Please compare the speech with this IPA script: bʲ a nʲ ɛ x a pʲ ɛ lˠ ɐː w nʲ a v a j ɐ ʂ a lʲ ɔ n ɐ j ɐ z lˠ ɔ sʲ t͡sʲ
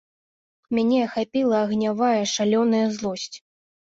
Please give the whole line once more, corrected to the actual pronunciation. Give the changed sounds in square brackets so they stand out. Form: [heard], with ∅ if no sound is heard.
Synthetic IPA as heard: [mʲ] a nʲ ɛ x a pʲ [i] lˠ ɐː [ɣ] nʲ a v a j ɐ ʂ a lʲ ɔ n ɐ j ɐ z lˠ ɔ sʲ t͡sʲ